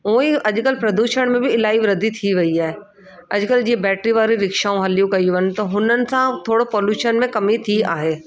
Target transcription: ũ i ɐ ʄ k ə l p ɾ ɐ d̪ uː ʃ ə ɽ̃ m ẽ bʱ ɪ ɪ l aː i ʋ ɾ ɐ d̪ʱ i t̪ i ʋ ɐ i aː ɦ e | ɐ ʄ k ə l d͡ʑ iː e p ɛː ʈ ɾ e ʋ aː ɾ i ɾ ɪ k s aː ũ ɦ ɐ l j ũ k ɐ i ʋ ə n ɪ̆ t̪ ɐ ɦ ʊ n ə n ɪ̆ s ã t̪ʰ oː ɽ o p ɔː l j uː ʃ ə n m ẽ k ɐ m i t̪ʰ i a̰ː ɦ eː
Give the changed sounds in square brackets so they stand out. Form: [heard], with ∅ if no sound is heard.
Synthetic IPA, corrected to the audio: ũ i ɐ ʄ k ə l p ɾ ɐ d̪ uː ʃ ə ɽ̃ m ẽ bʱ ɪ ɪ l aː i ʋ ɾ ɐ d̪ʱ i [t̪ʰ] i ʋ ɐ i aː ɦ e | ɐ ʄ k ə l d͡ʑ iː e [b] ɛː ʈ ɾ [i] ʋ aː ɾ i ɾ ɪ k [ʃ] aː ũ ɦ ɐ l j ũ k ɐ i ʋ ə n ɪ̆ t̪ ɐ ɦ ʊ n ə n ɪ̆ s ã t̪ʰ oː ɽ o p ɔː l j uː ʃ ə n m ẽ k ɐ m i t̪ʰ i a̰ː ɦ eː